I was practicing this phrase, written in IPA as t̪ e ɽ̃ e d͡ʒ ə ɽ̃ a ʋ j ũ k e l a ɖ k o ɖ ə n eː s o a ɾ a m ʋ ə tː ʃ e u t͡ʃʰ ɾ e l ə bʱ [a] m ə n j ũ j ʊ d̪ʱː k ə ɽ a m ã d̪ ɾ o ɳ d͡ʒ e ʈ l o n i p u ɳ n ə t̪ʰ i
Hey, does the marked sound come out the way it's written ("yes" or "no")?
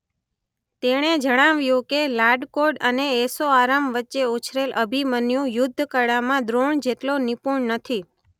no